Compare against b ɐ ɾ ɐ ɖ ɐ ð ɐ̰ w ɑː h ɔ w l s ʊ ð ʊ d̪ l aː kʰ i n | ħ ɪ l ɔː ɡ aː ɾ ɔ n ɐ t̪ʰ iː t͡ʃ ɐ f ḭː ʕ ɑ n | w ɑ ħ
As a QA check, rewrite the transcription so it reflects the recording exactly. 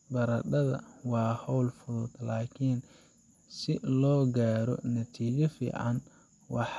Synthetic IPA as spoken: b ɐ ɾ ɐ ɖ ɐ ð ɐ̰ w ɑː h ɔ w l f ʊ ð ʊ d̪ l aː kʰ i n | s ɪ l ɔː ɡ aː ɾ ɔ n ɐ t̪ʰ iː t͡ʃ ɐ f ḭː ʕ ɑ n | w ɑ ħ